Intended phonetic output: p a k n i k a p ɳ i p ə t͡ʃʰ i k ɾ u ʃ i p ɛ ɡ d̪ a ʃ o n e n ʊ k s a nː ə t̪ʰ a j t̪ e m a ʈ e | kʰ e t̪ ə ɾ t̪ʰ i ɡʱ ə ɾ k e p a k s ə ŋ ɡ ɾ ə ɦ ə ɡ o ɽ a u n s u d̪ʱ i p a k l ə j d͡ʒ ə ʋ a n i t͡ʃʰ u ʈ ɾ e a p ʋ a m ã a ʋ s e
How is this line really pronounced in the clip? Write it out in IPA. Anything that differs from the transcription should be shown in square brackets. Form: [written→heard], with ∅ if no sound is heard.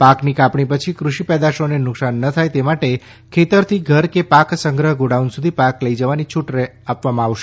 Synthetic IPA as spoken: p a k n i k a p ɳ i p ə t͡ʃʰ i k ɾ u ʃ i p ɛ [ɡ→∅] d̪ a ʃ o n e n ʊ k s a nː ə t̪ʰ a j t̪ e m a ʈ e | kʰ e t̪ ə ɾ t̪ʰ i ɡʱ ə ɾ k e p a k s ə ŋ ɡ ɾ ə ɦ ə ɡ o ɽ a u n s u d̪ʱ i p a k l ə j d͡ʒ ə ʋ a n i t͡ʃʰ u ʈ ɾ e a p ʋ a m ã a ʋ [s→ʃ] e